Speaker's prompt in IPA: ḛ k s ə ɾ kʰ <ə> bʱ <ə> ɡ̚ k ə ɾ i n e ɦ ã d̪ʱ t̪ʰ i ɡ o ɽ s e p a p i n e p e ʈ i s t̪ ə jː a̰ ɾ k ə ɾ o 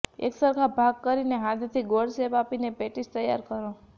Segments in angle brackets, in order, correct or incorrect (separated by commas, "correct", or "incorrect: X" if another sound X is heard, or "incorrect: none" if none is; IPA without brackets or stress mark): incorrect: a, incorrect: a